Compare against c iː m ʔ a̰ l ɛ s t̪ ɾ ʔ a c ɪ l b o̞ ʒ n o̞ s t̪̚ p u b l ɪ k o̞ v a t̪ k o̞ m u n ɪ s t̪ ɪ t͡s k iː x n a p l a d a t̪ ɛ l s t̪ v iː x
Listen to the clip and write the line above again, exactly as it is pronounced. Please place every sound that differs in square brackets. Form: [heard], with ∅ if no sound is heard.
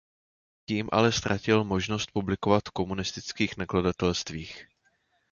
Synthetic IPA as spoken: c iː m ʔ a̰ l ɛ s t̪ ɾ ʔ a c ɪ l [m] o̞ ʒ n o̞ s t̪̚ p u b l ɪ k o̞ v a t̪ k o̞ m u n ɪ s t̪ ɪ t͡s k iː x n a [k] l a d a t̪ ɛ l s t̪ v iː x